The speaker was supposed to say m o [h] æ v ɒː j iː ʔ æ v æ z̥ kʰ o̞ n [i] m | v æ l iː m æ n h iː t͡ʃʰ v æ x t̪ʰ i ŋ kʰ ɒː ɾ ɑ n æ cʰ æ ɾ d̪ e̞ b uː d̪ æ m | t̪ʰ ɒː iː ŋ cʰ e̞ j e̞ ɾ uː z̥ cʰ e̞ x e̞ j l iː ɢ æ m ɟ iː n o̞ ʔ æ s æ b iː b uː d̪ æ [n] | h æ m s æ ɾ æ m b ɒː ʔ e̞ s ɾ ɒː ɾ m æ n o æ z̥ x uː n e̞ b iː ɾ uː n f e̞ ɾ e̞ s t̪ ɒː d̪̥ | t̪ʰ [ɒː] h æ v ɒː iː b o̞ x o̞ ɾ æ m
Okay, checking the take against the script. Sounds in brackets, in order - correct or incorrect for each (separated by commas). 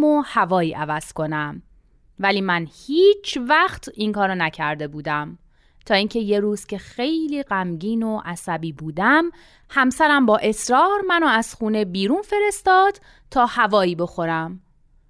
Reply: correct, incorrect, incorrect, correct